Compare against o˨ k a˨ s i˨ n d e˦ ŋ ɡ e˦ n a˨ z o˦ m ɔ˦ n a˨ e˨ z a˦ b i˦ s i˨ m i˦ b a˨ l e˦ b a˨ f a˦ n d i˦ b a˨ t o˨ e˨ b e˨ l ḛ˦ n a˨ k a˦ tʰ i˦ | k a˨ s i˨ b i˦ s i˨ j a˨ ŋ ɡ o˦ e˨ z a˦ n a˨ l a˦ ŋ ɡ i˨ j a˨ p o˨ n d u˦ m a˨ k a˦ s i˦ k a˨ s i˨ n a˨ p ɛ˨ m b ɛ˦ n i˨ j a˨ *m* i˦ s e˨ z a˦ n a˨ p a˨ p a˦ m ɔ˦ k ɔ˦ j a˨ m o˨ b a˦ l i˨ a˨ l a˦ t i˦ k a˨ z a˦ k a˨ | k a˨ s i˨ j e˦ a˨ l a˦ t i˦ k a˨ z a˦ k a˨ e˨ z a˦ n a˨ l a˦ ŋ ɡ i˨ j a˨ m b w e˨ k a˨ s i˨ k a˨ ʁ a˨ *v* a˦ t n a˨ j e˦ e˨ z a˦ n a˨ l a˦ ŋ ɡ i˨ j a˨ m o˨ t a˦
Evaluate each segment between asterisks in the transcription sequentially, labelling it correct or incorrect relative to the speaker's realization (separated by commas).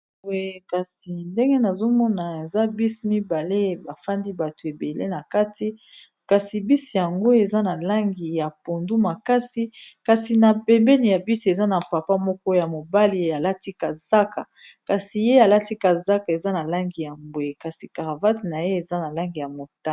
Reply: incorrect, correct